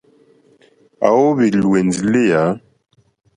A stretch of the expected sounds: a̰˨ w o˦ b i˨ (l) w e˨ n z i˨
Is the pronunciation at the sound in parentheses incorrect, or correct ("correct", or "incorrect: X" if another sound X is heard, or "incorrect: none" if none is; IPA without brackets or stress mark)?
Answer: correct